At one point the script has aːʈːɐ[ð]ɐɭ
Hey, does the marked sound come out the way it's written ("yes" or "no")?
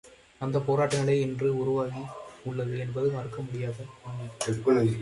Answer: no